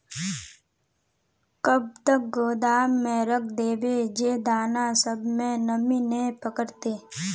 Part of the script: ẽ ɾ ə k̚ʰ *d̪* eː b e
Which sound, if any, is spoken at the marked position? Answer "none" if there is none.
d̪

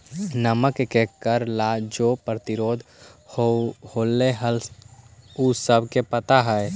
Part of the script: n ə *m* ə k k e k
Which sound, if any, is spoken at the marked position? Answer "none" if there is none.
m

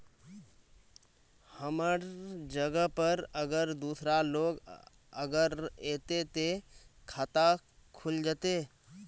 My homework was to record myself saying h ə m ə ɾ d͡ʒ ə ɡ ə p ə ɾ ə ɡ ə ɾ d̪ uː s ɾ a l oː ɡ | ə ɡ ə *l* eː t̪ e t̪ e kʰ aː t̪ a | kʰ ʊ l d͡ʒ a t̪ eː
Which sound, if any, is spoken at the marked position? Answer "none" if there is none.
ɾ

